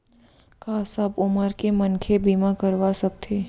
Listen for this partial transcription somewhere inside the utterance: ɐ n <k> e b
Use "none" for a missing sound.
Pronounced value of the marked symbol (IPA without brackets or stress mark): kʰ